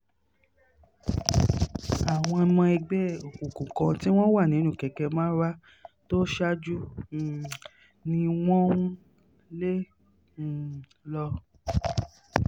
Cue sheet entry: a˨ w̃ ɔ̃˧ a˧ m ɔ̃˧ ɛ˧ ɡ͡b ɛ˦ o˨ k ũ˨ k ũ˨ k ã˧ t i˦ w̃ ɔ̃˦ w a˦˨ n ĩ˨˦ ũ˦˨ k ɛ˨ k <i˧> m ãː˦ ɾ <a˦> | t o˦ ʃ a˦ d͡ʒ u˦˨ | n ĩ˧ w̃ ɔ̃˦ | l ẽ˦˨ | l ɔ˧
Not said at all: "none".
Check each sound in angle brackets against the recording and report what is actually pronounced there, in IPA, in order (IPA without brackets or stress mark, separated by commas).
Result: ɛ˧, a˦